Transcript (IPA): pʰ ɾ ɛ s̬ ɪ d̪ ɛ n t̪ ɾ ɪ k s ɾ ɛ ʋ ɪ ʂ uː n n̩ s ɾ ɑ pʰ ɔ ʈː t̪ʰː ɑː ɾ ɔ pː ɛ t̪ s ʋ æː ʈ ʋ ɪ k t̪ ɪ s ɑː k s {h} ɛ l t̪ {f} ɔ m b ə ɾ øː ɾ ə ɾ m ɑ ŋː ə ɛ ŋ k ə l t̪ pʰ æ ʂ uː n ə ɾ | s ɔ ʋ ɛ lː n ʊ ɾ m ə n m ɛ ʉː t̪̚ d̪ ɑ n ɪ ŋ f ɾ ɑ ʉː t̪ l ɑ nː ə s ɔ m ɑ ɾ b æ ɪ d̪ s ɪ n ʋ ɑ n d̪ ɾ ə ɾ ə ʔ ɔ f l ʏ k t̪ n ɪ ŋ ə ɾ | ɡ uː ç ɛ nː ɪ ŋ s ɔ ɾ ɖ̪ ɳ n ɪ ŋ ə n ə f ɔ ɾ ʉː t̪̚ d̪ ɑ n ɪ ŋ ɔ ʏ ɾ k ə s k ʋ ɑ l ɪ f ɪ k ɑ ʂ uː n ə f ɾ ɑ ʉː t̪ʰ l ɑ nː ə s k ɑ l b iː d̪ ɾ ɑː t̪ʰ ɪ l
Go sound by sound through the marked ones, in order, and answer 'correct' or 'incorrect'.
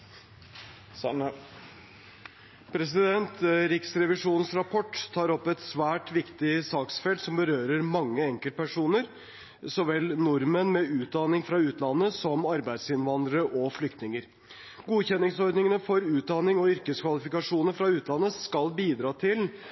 incorrect, incorrect

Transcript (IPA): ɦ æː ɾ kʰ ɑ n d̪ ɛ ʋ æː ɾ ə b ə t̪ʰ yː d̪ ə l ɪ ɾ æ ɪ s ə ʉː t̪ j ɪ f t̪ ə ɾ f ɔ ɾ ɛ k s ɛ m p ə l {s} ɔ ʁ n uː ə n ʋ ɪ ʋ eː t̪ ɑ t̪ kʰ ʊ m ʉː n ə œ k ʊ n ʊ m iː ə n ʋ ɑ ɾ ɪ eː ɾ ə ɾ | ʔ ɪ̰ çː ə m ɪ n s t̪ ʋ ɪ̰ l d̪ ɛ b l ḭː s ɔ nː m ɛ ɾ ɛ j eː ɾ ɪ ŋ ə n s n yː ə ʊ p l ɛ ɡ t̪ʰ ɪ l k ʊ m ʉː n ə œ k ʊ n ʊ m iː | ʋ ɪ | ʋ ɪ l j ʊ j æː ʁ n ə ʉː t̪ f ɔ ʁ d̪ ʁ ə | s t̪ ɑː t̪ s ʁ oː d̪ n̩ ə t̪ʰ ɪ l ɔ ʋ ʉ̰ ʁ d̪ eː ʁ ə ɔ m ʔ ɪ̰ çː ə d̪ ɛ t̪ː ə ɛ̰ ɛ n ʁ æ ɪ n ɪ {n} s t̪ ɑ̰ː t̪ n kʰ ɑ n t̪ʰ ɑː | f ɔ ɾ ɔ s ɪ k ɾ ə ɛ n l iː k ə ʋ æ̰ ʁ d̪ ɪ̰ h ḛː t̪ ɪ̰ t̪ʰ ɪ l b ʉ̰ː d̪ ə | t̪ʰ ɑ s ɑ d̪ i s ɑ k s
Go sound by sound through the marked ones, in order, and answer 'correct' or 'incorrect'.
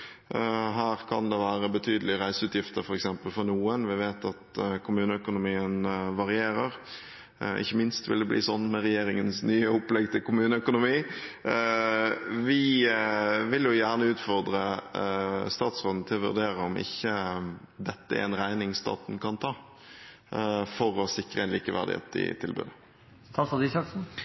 incorrect, incorrect

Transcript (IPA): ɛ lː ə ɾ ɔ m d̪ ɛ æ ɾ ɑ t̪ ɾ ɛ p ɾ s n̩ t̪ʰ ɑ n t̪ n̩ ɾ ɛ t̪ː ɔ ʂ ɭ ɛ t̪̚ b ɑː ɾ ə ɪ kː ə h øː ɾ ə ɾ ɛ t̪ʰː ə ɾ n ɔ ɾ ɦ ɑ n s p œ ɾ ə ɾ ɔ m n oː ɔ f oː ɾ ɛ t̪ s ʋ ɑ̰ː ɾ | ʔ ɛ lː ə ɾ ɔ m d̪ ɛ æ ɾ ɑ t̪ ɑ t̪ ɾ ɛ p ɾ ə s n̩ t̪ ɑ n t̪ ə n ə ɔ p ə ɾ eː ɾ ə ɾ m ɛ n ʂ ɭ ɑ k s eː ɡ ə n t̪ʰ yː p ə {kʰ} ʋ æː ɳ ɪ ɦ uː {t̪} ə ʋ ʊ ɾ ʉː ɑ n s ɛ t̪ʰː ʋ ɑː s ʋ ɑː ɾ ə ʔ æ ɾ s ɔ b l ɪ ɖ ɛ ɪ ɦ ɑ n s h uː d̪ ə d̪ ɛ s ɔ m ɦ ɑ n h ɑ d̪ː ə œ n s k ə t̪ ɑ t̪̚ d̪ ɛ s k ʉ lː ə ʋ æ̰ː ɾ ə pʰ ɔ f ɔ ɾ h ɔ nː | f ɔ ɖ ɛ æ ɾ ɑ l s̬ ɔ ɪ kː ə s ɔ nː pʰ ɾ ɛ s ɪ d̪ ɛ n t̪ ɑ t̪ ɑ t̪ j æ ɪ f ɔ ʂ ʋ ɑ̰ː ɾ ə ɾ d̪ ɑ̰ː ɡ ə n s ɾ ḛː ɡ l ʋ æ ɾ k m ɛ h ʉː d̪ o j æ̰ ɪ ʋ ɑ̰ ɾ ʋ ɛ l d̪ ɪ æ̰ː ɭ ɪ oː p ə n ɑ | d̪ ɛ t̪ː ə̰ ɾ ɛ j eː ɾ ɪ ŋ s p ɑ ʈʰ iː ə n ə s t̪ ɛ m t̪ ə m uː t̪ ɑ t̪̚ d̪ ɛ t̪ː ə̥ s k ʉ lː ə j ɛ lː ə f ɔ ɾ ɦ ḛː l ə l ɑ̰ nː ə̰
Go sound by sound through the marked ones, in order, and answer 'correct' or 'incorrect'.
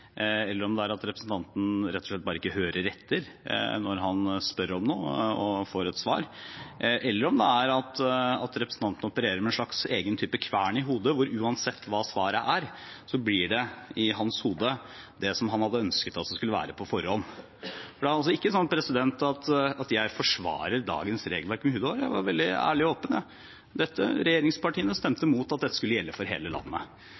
correct, incorrect

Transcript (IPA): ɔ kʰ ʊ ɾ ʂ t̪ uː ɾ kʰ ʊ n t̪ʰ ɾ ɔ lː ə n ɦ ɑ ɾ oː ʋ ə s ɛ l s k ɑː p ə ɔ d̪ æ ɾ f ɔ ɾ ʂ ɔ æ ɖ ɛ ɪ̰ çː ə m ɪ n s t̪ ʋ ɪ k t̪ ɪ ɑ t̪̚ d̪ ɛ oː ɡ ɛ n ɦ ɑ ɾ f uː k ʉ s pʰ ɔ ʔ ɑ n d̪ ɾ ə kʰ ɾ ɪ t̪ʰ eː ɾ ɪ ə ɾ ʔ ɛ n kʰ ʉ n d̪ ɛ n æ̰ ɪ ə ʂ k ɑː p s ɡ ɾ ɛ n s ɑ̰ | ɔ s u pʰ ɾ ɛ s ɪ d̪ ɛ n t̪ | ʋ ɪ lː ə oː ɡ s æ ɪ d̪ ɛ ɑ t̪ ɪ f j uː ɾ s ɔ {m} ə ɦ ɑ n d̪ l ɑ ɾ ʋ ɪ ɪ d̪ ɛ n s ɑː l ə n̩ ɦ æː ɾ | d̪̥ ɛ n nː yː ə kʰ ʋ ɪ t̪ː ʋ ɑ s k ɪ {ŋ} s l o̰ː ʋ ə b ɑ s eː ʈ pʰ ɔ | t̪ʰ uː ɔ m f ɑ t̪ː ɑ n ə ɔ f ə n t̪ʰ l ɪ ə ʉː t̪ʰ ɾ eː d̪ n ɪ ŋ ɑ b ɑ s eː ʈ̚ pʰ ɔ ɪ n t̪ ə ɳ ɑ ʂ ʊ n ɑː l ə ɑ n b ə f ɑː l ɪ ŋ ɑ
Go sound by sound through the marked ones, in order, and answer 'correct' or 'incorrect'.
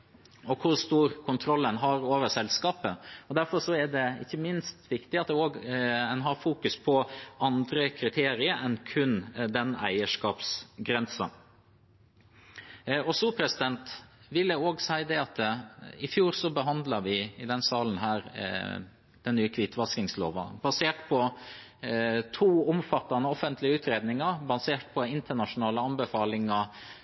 incorrect, correct

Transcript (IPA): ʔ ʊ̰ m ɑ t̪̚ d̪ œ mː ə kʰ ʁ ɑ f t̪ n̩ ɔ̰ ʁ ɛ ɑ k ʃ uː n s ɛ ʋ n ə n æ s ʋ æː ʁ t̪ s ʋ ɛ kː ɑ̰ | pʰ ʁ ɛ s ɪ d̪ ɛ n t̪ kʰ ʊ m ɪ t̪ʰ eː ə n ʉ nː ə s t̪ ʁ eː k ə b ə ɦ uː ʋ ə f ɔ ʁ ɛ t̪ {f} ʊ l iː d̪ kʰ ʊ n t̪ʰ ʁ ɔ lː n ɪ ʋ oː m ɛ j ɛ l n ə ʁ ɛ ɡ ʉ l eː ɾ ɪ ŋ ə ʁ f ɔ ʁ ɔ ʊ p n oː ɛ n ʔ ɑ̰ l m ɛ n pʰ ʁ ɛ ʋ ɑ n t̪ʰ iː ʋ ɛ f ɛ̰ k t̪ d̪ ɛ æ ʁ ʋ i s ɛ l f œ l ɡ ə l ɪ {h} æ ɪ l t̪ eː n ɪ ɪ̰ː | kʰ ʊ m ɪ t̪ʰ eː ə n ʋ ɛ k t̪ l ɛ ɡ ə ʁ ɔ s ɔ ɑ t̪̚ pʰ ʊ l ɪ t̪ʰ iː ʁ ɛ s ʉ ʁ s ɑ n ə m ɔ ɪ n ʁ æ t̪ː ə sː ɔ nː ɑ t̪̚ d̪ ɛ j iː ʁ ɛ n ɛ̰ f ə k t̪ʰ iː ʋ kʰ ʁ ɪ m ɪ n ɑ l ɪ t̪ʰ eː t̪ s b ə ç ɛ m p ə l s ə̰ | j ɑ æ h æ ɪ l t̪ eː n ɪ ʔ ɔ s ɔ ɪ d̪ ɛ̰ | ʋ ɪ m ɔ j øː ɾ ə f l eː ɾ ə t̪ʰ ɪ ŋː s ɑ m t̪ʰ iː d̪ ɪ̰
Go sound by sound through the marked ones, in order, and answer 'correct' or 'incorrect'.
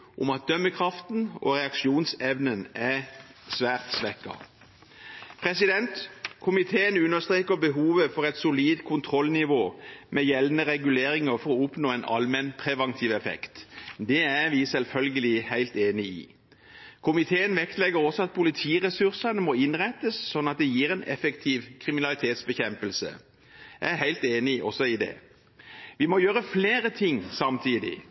incorrect, correct

